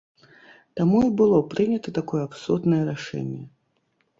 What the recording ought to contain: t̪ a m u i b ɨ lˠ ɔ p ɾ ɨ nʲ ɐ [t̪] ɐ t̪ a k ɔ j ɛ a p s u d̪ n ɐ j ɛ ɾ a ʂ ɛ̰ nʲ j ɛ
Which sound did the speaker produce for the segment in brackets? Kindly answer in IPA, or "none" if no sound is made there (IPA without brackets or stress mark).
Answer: t̪